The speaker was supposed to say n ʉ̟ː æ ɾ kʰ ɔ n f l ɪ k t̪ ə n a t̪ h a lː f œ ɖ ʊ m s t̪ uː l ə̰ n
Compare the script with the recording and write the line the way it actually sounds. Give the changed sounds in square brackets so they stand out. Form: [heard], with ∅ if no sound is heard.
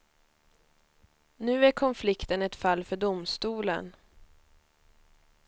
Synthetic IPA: n ʉ̟ː æ ɾ kʰ ɔ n f l ɪ k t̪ ə n [ɛ] t̪ [f] a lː f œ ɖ ʊ m s t̪ uː l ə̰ n